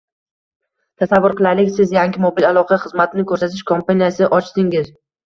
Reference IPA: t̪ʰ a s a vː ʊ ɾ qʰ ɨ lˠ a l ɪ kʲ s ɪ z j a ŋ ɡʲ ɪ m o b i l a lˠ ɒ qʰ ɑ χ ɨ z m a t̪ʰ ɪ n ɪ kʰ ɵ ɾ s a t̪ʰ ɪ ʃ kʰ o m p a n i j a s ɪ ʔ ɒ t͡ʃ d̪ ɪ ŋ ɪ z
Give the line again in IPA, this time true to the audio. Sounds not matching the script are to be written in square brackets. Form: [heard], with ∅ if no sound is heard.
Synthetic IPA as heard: t̪ʰ a s a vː ʊ ɾ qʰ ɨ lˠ a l ɪ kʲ s ɪ z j a ŋ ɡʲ ɪ m o b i l a lˠ ɒ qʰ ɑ χ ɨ z m a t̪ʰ ɪ n ɪ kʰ ɵ ɾ s a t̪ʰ ɪ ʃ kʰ o m p a n i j a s ɪ ʔ ɒ t͡ʃ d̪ ɪ ŋ ɪ z